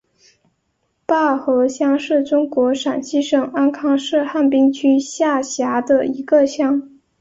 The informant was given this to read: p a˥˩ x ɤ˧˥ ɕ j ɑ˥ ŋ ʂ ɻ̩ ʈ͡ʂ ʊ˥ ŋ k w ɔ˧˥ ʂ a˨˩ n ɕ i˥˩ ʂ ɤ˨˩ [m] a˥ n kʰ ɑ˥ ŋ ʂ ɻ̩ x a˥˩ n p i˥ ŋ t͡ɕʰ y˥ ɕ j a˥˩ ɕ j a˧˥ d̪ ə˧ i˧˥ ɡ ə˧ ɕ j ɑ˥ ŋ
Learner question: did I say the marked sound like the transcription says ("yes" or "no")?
no